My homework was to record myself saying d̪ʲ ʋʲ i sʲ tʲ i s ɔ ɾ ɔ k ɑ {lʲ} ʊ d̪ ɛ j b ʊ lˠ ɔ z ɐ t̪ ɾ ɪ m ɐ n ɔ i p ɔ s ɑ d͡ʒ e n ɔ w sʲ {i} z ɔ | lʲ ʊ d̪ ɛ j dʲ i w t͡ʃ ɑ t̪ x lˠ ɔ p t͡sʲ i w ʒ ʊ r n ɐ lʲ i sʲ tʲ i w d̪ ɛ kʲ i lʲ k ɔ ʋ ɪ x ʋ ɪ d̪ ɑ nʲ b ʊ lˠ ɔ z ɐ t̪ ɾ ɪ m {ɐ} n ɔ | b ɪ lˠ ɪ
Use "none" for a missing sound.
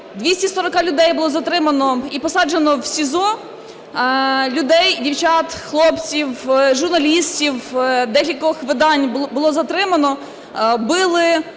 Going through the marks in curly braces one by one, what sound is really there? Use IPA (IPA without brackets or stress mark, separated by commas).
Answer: lʲ, i, ɐ